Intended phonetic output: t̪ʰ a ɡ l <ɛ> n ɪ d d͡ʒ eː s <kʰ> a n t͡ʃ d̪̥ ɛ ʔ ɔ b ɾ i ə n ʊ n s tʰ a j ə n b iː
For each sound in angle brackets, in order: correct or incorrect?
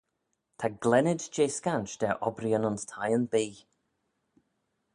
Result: correct, incorrect

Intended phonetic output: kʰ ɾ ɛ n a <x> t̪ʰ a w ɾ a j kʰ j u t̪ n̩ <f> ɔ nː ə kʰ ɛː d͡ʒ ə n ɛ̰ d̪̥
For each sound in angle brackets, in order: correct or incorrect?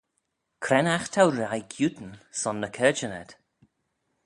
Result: correct, incorrect

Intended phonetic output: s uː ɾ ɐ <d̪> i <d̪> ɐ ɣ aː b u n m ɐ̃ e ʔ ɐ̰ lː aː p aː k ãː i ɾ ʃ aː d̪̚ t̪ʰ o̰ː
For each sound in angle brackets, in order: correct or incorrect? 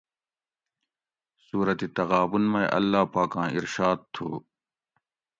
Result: incorrect, incorrect

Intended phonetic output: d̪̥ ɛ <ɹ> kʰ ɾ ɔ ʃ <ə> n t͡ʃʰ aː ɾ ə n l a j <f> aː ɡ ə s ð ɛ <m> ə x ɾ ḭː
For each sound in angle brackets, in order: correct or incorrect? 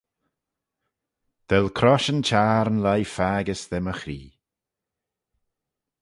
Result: incorrect, correct, correct, correct

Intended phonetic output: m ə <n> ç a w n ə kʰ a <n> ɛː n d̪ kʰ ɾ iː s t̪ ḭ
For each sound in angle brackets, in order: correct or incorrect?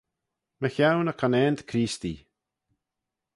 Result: incorrect, correct

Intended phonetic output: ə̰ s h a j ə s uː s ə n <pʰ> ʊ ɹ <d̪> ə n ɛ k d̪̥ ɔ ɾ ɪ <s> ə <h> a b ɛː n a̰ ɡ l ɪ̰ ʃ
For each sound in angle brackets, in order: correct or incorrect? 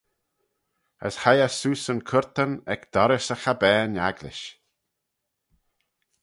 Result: incorrect, incorrect, correct, incorrect

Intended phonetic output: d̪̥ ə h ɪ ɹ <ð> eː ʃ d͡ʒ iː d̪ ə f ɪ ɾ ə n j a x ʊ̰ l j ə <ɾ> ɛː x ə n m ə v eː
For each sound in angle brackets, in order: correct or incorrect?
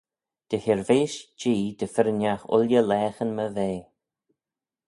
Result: incorrect, incorrect

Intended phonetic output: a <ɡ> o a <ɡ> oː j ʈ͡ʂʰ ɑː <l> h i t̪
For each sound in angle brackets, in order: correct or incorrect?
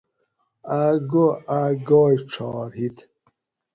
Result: correct, correct, incorrect

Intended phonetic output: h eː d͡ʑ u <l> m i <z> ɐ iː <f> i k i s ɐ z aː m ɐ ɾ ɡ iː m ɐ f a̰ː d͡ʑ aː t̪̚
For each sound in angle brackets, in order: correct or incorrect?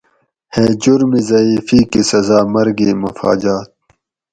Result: incorrect, correct, correct

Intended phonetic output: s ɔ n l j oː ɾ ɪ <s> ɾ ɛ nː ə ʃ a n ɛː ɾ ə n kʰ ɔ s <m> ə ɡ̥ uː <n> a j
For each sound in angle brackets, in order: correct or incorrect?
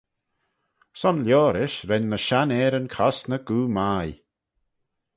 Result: incorrect, incorrect, incorrect

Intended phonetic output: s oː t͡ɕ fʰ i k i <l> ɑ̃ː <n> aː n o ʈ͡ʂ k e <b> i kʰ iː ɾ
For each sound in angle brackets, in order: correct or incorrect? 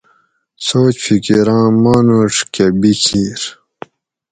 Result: incorrect, incorrect, correct

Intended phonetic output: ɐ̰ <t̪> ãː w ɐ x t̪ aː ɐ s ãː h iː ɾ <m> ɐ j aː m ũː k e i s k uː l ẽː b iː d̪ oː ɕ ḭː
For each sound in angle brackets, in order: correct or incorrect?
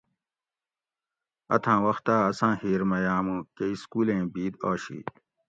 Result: incorrect, correct

